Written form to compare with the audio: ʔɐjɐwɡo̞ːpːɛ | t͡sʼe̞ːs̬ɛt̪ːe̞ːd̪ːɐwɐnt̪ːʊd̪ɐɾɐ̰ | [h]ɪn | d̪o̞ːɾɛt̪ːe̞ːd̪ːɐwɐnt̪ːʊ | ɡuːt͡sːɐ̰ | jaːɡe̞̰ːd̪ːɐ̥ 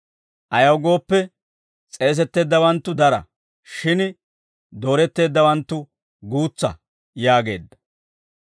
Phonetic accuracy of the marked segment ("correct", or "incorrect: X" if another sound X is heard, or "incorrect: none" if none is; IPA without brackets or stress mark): incorrect: ʃ